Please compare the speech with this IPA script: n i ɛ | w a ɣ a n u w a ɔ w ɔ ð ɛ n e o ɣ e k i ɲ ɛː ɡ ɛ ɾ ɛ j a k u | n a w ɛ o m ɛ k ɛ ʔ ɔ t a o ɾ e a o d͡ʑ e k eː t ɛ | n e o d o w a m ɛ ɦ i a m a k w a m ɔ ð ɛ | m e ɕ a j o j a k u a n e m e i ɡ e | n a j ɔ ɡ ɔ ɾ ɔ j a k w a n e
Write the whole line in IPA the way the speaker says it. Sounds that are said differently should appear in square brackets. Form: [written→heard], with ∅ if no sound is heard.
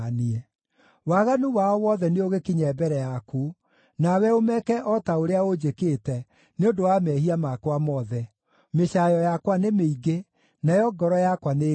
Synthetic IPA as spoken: n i ɛ | w a ɣ a n u w a ɔ w ɔ ð ɛ n e o ɣ e k i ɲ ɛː [ɡ→b] ɛ ɾ ɛ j a k u | n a w ɛ o m ɛ k ɛ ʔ ɔ t a o ɾ e a o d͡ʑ e k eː t ɛ | n e o d o w a m ɛ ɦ i a m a k w a m ɔ ð ɛ | m e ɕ a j [o→ɔ] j a k [u→w] a n e m e i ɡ e | n a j ɔ ɡ ɔ ɾ ɔ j a k w a n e